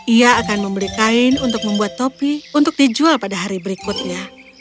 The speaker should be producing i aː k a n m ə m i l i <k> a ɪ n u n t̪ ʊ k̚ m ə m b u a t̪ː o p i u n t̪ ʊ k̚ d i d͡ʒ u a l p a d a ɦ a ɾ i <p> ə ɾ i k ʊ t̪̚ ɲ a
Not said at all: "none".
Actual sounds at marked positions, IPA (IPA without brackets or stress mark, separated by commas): k, b